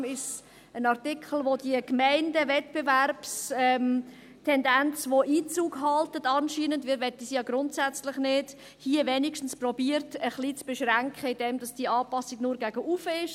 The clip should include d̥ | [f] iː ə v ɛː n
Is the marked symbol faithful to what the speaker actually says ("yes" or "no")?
no